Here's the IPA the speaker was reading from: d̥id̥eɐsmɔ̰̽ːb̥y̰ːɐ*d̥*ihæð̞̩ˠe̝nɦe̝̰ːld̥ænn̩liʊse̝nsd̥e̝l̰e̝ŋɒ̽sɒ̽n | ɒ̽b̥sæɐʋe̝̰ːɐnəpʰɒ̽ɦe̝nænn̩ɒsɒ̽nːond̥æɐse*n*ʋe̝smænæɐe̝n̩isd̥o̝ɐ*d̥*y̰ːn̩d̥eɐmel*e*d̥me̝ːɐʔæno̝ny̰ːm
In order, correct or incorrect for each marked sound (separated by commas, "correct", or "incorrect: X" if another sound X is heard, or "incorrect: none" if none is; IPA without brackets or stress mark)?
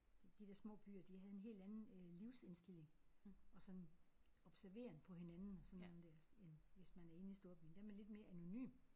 correct, correct, incorrect: b̥, correct